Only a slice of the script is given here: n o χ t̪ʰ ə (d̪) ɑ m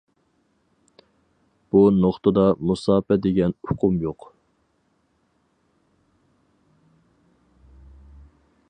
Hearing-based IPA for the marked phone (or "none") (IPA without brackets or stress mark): d̪